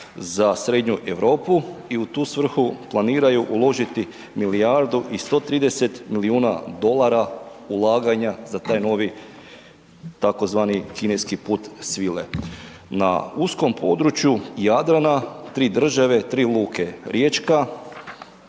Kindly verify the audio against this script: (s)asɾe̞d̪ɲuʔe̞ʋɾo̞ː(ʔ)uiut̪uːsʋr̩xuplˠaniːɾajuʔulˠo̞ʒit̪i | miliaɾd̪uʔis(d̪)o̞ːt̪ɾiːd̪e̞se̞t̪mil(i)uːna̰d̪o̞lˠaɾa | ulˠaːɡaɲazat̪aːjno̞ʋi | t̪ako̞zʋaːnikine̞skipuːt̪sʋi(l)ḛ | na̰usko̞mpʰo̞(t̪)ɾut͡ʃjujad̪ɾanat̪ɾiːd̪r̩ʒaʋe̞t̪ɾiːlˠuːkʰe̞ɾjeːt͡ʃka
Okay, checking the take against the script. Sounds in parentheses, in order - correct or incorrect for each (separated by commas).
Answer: incorrect, incorrect, incorrect, correct, correct, incorrect